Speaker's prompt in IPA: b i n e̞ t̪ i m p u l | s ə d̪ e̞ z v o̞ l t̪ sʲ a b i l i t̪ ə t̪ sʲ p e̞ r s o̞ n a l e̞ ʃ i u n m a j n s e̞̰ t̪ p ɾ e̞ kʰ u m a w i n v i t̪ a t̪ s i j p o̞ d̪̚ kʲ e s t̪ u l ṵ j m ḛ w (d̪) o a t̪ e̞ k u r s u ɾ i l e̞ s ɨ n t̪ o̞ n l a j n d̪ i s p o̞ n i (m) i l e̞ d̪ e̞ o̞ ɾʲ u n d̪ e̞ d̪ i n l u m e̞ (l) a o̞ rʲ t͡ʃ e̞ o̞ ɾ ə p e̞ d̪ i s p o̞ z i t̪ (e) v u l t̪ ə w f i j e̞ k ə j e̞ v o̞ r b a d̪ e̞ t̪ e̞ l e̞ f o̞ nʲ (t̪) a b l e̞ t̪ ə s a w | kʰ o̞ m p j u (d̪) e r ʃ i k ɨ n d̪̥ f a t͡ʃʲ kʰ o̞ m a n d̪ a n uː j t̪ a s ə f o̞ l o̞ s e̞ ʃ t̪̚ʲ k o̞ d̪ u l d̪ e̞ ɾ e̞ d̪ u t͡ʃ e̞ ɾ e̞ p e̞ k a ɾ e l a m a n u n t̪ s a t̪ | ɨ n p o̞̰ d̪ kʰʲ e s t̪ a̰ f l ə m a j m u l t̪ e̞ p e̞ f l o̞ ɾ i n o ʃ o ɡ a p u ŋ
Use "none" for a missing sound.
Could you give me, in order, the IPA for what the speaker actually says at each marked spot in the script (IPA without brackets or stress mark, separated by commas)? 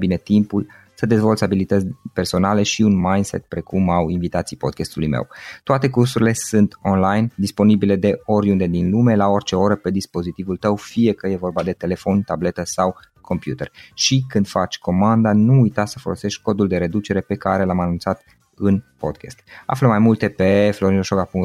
t̪, b, l, i, t̪, t̪